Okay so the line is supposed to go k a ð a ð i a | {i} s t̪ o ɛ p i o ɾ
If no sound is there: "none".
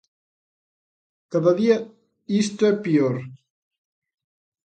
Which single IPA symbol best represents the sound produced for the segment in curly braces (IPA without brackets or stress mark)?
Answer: i